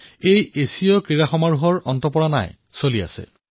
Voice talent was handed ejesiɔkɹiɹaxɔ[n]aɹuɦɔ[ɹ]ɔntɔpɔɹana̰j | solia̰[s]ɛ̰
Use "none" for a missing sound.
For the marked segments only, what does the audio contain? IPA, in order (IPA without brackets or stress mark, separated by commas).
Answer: m, ɹ, s